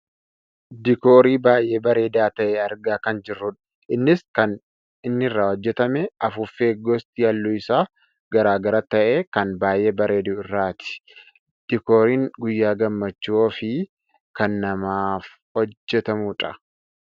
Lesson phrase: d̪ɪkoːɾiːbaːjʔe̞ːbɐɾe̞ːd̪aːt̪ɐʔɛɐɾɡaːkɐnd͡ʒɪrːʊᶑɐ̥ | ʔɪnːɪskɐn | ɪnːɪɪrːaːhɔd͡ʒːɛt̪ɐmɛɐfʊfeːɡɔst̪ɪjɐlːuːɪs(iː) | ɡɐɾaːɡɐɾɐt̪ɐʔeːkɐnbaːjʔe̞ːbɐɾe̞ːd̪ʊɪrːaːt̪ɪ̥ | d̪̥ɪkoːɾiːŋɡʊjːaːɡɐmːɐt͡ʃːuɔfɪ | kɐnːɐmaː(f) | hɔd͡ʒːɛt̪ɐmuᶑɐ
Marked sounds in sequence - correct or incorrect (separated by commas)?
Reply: incorrect, correct